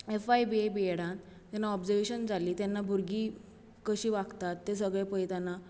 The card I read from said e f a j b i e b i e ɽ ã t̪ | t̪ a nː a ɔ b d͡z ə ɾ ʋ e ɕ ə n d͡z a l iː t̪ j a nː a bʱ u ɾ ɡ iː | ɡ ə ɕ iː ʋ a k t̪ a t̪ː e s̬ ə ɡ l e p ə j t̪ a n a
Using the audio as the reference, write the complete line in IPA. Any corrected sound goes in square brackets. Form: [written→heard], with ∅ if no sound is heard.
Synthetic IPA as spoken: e f a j b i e b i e ɽ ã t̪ | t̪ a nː a ɔ b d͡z ə ɾ ʋ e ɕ ə n d͡z a l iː t̪ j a nː a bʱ u ɾ ɡ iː | [ɡ→k] ə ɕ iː ʋ a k t̪ a t̪ː e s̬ ə ɡ [l→ɭ] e p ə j t̪ a n a